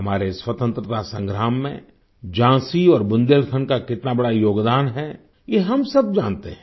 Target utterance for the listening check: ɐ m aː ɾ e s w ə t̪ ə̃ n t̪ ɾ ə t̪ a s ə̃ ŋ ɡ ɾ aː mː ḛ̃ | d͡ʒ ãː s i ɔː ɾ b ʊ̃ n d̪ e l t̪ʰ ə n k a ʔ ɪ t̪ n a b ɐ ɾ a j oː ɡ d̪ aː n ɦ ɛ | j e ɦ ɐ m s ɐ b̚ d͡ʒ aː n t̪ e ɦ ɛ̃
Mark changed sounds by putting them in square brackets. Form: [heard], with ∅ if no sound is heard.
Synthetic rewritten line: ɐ m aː ɾ e s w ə t̪ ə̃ n t̪ ɾ ə t̪ a s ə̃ ŋ ɡ ɾ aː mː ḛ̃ | d͡ʒ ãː s i ɔː ɾ b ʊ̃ n d̪ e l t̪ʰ ə n k a [k] ɪ t̪ n a b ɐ [ɽ] a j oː ɡ d̪ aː n ɦ ɛ | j e ɦ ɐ m s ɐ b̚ d͡ʒ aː n t̪ e ɦ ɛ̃